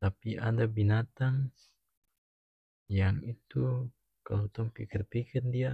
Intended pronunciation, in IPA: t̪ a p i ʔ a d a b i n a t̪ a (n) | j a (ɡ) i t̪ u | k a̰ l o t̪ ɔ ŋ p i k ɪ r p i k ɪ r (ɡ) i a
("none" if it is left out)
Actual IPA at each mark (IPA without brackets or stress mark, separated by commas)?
ŋ, ŋ, d